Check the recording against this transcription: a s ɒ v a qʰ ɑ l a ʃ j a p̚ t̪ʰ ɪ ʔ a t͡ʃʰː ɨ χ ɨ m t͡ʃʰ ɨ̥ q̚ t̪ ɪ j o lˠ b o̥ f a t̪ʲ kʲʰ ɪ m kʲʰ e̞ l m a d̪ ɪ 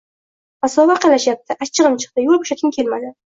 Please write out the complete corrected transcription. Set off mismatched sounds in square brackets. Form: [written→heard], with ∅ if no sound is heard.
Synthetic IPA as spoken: a s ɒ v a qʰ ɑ l a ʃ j a p̚ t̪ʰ ɪ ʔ a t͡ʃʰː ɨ [χ→ʁ] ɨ m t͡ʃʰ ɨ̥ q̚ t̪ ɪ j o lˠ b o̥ [f→ʃ] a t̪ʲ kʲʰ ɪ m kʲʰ e̞ l m a d̪ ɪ